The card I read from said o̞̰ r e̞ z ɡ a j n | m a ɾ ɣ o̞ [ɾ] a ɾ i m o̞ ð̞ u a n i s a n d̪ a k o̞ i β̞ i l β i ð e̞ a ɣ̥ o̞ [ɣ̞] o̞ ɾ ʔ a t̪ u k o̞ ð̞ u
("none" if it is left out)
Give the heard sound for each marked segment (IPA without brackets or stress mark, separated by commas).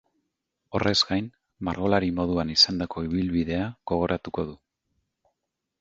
l, ɣ̞